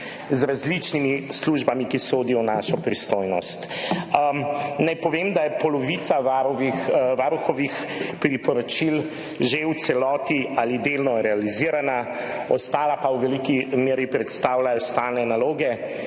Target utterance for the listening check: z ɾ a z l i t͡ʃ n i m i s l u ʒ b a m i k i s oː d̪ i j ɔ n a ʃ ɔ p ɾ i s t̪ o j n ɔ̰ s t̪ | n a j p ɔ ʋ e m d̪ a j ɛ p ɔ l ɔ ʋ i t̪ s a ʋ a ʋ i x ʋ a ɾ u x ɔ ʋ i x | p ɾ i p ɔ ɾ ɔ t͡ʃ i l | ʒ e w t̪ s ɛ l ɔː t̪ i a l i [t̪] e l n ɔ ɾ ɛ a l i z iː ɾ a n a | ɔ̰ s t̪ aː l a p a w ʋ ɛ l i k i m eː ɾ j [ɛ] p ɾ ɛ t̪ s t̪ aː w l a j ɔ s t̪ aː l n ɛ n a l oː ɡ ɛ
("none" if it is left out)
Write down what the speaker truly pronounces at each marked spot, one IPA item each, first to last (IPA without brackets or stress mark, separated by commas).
d̪, i